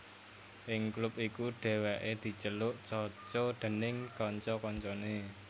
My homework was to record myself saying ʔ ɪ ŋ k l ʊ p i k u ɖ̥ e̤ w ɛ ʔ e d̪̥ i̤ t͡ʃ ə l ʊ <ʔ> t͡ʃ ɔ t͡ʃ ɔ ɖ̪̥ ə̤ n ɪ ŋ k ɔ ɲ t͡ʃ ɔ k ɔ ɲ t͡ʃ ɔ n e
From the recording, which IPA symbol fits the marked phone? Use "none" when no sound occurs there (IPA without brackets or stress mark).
ʔ